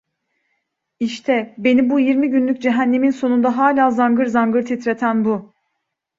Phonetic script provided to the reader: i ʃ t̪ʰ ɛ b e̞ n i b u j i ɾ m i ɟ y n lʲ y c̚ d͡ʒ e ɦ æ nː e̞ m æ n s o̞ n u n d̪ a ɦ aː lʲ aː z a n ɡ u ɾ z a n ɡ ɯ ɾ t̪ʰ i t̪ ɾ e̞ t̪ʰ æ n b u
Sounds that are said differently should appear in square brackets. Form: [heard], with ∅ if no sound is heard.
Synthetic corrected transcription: i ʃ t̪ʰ ɛ b e̞ n i b u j i ɾ m i ɟ y n lʲ y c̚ d͡ʒ e ɦ æ nː e̞ m [i] n s o̞ n u n d̪ a ɦ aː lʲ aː z a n ɡ [ɯ] ɾ z a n ɡ ɯ ɾ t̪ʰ i t̪ ɾ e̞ t̪ʰ æ n b u